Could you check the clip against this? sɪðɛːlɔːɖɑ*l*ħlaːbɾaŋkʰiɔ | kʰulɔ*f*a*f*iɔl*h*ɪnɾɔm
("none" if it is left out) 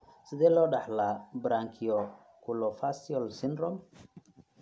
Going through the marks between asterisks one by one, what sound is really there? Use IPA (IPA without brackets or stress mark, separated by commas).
none, f, s, s